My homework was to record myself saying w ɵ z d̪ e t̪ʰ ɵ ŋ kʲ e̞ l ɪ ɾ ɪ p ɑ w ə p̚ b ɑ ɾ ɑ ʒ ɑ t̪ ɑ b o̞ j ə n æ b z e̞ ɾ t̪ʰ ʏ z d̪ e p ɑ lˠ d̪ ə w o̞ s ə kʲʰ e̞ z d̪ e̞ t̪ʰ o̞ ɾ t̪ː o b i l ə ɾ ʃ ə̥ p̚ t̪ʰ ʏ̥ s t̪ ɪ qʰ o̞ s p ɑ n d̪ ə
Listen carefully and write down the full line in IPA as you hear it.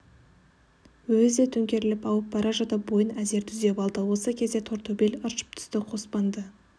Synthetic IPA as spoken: w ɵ z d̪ e t̪ʰ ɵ ŋ kʲ e̞ ɾ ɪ l ɪ p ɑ w ə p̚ b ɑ ɾ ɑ ʒ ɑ t̪ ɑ b o̞ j ə n æ z e̞ ɾ t̪ʰ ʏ z d̪ e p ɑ lˠ d̪ ə w o̞ s ə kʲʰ e̞ z d̪ e̞ t̪ʰ o̞ ɾ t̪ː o b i l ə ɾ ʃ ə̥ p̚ t̪ʰ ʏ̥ s t̪ ɪ qʰ o̞ s p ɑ n d̪ ə